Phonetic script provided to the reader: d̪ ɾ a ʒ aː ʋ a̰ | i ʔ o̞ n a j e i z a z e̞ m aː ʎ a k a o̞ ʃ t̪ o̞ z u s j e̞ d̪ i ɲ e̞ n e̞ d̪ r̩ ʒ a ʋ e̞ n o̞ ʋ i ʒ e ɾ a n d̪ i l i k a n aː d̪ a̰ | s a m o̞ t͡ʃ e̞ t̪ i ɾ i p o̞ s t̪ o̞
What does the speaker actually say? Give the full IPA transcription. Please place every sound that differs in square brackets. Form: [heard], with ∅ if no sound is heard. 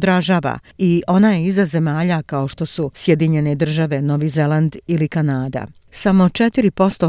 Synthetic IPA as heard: d̪ ɾ a ʒ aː ʋ a̰ | i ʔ o̞ n a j e i z a z e̞ m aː ʎ a k a o̞ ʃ t̪ o̞ [s] u s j e̞ d̪ i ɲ e̞ n e̞ d̪ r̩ ʒ a ʋ e̞ n o̞ ʋ i [z] e [l] a n d̪ i l i k a n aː d̪ a̰ | s a m o̞ t͡ʃ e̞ t̪ i ɾ i p o̞ s t̪ o̞